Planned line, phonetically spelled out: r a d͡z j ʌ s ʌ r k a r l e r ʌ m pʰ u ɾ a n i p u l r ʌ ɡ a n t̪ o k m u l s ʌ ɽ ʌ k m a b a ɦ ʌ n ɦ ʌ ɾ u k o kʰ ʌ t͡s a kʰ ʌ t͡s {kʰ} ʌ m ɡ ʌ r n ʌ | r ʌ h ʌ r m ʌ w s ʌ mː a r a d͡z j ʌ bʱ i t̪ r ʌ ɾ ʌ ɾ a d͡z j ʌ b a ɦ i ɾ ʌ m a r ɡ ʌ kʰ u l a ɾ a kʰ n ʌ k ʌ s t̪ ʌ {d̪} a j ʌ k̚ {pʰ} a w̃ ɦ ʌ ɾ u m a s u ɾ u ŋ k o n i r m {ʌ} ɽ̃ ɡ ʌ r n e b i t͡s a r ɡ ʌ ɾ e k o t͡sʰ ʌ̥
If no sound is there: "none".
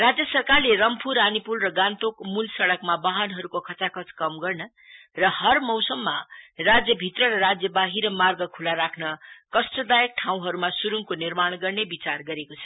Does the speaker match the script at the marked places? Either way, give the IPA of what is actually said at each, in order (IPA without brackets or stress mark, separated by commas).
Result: k, d̪, ʈʰ, a